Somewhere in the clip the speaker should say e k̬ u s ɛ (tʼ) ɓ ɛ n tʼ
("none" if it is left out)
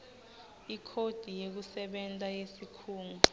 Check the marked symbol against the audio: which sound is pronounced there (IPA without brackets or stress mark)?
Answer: none